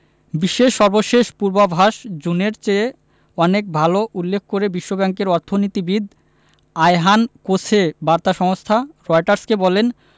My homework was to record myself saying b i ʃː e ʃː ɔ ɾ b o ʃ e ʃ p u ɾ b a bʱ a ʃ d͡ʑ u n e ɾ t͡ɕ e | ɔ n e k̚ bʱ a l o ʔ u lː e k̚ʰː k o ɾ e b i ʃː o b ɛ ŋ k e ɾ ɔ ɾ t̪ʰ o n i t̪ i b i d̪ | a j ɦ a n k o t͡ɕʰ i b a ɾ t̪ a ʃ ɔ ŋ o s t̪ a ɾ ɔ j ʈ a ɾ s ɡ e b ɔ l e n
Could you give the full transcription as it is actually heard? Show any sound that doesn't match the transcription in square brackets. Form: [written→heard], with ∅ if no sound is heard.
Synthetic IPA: b i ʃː e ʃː ɔ ɾ b o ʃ e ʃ p u ɾ b a bʱ a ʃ d͡ʑ u n e ɾ t͡ɕ e | ɔ n e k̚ bʱ a l o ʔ u lː e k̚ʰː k o ɾ e b i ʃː o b ɛ ŋ k e ɾ ɔ ɾ t̪ʰ o n i t̪ i b i d̪ | a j ɦ a n k o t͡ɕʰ [i→e] b a ɾ t̪ a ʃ ɔ ŋ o s [t̪→t̪ʰ] a ɾ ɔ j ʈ a ɾ s [ɡ→k] e b ɔ l e n